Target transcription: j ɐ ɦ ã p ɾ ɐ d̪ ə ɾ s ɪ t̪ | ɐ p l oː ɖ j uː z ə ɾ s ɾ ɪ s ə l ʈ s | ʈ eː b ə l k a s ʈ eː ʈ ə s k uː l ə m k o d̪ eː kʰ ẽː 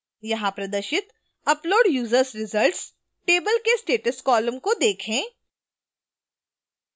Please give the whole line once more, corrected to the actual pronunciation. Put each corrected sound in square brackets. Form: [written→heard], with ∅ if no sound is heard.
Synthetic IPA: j ɐ ɦ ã p ɾ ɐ d̪ ə ɾ [s→ʃ] ɪ t̪ | ɐ p l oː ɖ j uː z ə ɾ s ɾ ɪ [s→z] ə l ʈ s | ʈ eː b ə l k [a→e] s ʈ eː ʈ ə s k [uː→ɔː] l ə m k o d̪ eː kʰ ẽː